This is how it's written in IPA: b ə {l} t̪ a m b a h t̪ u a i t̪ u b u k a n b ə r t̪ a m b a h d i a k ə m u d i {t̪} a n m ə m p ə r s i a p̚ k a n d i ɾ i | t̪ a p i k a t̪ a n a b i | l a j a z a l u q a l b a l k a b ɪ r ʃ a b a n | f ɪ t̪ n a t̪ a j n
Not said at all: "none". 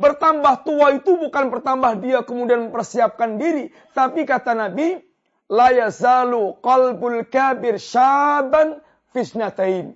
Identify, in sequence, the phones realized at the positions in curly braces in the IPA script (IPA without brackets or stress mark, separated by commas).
r, none